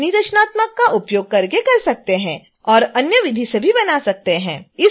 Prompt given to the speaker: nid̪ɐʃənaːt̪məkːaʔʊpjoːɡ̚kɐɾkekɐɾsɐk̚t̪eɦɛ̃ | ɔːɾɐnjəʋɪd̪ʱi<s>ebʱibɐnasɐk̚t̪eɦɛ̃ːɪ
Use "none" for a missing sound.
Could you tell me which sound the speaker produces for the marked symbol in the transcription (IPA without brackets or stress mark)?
s